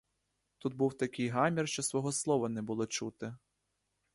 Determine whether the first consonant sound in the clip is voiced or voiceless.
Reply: voiceless